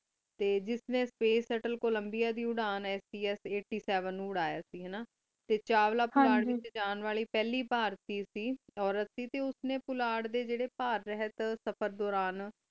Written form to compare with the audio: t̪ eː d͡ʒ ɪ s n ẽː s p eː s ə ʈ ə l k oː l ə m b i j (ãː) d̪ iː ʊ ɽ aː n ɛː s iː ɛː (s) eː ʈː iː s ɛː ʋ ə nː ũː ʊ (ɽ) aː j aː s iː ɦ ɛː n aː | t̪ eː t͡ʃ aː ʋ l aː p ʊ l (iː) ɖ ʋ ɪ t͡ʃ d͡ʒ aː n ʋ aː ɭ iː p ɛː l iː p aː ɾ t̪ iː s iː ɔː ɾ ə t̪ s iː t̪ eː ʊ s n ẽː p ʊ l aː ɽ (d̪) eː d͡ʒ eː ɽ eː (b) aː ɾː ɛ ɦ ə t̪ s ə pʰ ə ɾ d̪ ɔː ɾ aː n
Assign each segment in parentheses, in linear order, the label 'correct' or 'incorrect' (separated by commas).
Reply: incorrect, correct, correct, incorrect, correct, incorrect